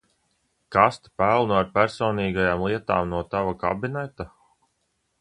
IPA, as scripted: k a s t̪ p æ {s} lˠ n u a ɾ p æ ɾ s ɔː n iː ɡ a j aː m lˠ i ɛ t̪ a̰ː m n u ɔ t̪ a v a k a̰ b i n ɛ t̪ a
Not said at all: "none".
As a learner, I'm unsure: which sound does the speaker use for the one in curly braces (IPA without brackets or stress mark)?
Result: none